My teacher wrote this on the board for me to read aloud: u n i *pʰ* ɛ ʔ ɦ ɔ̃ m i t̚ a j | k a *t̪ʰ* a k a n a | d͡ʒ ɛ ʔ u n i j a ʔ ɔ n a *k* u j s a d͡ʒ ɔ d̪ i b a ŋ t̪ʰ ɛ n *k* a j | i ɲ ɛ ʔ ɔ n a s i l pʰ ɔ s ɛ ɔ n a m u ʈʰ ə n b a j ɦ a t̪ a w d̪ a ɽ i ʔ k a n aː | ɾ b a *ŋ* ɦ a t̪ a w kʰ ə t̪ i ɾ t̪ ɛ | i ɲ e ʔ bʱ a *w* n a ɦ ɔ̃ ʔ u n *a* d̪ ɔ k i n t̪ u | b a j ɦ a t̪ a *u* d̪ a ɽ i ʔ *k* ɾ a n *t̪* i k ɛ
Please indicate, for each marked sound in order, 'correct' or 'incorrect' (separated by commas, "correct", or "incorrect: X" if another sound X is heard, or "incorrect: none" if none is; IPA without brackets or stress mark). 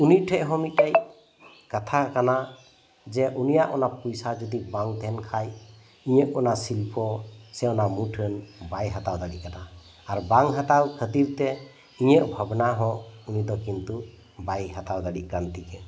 incorrect: ʈʰ, correct, incorrect: p, incorrect: kʰ, correct, incorrect: b, incorrect: i, incorrect: w, correct, correct